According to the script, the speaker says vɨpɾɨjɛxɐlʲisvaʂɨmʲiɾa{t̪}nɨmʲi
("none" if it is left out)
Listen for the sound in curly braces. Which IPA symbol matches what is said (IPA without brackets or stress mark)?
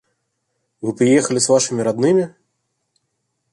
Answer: d̪